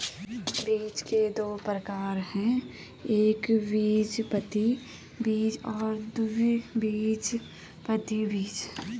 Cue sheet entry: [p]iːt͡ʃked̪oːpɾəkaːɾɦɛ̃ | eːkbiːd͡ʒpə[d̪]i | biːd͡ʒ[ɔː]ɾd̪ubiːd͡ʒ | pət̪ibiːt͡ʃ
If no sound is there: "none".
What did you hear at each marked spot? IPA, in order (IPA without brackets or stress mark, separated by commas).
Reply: b, t̪, ɔː